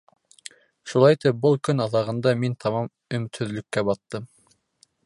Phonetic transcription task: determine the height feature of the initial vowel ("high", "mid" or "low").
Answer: high